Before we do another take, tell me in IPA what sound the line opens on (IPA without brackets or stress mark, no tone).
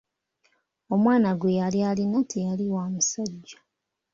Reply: o̞